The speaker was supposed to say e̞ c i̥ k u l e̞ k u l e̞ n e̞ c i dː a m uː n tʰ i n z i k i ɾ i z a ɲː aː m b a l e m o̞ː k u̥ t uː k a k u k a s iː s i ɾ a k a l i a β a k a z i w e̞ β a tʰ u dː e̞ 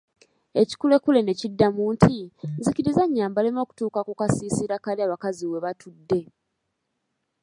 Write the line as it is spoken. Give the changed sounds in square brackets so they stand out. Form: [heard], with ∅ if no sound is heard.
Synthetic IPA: e̞ c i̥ k u l e̞ k u l e̞ n e̞ c i dː a m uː n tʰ i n z i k i ɾ i z a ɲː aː m b a l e m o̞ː k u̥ t uː k a k u k a s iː s i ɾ a k a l i a β a k a z i w e̞ β a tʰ u dː e̞